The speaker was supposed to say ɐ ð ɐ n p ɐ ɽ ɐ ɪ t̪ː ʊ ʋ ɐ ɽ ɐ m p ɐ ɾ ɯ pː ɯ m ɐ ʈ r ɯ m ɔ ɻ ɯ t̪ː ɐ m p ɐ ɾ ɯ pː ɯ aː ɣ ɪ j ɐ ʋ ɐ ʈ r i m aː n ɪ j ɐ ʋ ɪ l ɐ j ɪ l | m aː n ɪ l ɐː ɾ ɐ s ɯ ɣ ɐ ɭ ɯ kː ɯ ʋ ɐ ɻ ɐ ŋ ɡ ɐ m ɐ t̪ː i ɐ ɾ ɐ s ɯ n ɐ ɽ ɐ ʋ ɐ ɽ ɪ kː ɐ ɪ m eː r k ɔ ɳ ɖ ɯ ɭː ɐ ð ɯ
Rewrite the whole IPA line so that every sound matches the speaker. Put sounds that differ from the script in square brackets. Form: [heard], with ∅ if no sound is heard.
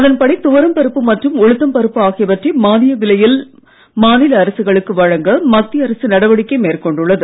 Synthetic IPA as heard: ɐ ð ɐ n p ɐ ɽ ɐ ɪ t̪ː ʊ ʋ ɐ [ɾ] ɐ m p ɐ ɾ ɯ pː ɯ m ɐ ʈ r ɯ m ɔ ɻ ɯ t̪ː ɐ m p ɐ ɾ ɯ pː ɯ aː ɣ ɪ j ɐ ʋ ɐ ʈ r i m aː n ɪ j ɐ ʋ ɪ l ɐ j ɪ l | m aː n ɪ l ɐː ɾ ɐ s ɯ ɣ ɐ ɭ ɯ kː ɯ ʋ ɐ ɻ ɐ ŋ ɡ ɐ m ɐ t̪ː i ɐ ɾ ɐ s ɯ n ɐ ɽ ɐ ʋ ɐ ɽ ɪ kː ɐ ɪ m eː r k ɔ ɳ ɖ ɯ ɭː ɐ ð ɯ